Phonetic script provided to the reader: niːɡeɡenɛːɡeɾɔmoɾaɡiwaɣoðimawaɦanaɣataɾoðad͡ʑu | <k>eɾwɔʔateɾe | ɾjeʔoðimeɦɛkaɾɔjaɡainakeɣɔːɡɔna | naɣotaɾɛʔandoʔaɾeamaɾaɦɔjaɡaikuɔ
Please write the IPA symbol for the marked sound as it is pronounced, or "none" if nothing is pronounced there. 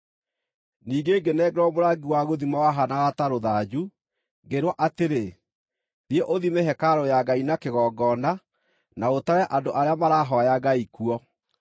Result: ɡ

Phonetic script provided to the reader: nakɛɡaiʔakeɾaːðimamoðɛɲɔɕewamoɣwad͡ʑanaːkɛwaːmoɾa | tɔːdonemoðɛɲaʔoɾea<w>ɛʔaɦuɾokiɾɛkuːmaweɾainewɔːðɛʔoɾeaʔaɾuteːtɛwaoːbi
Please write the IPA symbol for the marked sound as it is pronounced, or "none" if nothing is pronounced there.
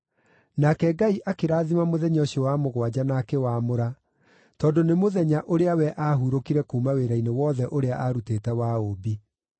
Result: w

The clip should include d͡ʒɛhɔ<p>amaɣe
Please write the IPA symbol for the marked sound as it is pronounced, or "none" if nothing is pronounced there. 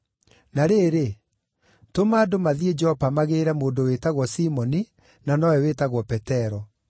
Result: p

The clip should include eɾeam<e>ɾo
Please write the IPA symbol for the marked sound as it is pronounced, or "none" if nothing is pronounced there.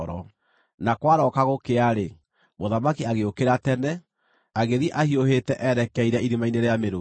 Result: e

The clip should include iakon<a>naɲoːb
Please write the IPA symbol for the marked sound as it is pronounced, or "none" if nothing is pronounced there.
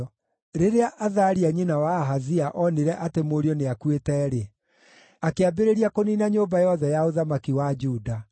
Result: i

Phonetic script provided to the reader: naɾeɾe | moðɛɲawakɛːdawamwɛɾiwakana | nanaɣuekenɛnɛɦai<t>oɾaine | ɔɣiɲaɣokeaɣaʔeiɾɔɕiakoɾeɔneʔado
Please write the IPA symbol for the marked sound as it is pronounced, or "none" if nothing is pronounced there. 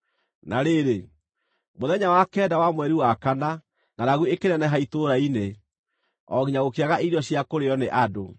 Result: t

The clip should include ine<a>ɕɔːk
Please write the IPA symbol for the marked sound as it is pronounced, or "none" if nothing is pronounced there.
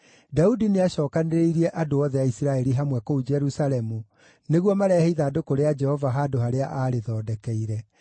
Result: a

